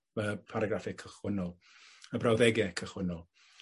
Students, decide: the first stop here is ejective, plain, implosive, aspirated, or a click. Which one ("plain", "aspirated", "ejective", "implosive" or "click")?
aspirated